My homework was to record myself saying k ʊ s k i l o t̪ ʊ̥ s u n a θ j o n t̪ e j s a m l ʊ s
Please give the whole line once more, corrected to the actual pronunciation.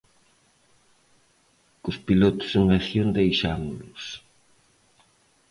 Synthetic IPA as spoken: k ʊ s p i l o t̪ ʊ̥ s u ŋ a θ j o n d̪ e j ʃ a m l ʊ s